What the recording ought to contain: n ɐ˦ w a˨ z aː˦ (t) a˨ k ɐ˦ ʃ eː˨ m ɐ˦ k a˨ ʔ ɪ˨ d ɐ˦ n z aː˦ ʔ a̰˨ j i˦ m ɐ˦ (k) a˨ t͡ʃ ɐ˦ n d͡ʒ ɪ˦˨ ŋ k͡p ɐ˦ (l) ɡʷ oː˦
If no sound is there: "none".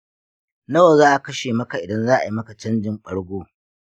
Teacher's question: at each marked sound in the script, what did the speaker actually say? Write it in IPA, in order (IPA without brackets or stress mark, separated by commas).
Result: ʔ, k, ɽ